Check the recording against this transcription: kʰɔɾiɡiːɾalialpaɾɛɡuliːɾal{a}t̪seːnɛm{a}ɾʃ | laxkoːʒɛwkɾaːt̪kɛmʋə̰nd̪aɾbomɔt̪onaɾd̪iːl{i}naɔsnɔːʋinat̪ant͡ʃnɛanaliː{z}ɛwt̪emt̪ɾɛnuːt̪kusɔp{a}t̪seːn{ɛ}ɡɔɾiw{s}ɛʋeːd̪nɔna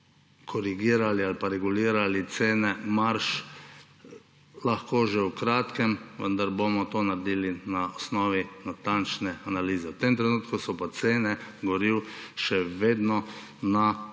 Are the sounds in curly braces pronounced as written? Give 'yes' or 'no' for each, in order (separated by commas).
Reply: no, yes, yes, yes, yes, yes, no